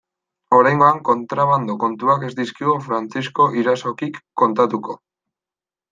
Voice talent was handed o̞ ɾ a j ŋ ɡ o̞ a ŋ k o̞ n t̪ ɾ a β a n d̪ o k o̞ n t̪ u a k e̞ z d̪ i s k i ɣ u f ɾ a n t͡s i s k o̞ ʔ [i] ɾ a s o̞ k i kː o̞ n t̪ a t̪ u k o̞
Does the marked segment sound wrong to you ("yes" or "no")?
no